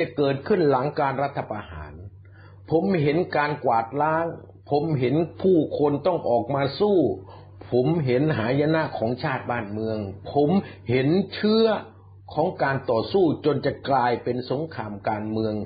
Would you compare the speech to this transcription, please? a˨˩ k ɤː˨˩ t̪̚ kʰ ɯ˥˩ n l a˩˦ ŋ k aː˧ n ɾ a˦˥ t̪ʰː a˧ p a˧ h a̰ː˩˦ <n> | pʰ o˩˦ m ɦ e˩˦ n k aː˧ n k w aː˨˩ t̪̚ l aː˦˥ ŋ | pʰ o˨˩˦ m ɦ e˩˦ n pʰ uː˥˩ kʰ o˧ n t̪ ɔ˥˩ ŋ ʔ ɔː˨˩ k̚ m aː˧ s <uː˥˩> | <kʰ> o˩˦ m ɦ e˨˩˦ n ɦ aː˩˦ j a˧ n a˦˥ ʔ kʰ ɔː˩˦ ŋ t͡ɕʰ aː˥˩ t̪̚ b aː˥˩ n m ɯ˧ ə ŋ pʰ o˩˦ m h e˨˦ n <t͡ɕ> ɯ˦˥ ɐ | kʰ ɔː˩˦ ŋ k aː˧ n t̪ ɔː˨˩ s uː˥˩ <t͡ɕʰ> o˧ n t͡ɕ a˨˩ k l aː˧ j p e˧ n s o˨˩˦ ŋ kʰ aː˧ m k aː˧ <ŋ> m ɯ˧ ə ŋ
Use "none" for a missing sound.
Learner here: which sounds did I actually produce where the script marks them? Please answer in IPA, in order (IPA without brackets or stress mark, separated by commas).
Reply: n, uː˥˩, pʰ, t͡ɕʰ, t͡ɕ, n